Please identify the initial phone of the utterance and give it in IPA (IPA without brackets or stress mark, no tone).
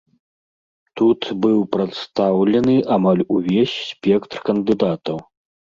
t̪